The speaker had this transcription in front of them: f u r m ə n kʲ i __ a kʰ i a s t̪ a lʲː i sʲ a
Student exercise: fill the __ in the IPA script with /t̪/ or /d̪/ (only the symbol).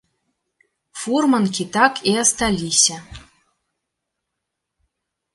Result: t̪